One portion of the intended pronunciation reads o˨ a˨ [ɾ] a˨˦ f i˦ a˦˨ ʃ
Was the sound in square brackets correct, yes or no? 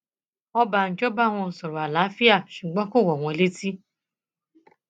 no